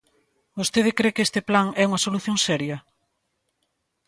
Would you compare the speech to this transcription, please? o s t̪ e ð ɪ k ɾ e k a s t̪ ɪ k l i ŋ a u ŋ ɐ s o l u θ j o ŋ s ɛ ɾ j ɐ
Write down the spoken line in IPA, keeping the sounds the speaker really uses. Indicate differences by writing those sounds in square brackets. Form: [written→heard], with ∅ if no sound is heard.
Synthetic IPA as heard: o s t̪ e ð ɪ k ɾ e k [a→e] s t̪ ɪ [k→p] l [i→a] ŋ [a→ɛ] u ŋ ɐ s o l u θ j o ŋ s ɛ ɾ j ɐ